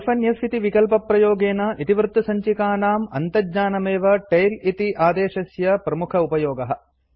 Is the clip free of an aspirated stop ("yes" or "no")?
no